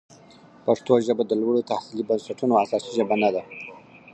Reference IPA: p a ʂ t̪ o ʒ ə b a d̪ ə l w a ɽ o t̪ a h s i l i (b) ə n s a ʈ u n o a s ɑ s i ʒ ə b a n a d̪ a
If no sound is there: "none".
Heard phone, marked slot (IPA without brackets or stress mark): b